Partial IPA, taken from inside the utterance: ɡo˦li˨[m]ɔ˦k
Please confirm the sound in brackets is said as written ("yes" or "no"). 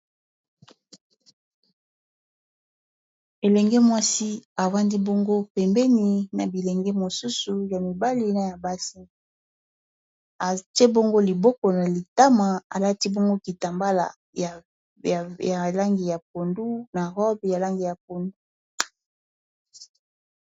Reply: no